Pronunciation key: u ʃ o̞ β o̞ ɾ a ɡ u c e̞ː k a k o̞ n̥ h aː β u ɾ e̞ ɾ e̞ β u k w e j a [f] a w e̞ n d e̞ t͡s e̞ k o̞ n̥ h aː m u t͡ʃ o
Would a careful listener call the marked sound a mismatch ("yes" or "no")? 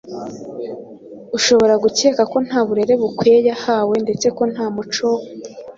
yes